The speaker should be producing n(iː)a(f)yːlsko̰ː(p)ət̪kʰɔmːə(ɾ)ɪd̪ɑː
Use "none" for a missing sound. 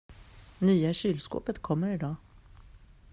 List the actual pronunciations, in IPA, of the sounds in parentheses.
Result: yː, ɕ, p, ɾ

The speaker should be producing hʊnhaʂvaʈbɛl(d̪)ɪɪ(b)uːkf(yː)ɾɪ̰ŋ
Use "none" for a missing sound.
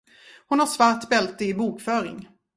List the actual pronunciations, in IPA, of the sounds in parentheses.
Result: t̪, b, œː

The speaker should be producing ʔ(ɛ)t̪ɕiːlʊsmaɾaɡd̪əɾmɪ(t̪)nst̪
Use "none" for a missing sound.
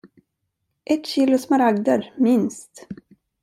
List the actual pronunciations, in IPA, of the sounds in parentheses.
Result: ɛ, none

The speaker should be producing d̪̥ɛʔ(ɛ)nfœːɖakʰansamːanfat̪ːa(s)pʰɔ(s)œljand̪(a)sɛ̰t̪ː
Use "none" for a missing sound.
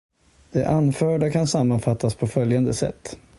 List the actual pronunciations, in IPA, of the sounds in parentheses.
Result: a, s, f, ə

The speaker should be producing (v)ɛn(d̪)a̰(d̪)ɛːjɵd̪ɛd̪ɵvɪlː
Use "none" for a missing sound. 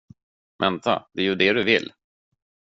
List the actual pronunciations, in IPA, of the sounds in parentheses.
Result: v, t̪, d̪

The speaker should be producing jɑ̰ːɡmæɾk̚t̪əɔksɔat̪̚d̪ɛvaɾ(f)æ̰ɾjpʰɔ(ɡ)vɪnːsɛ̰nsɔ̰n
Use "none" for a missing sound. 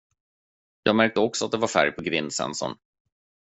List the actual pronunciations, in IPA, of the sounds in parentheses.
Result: f, ɡ

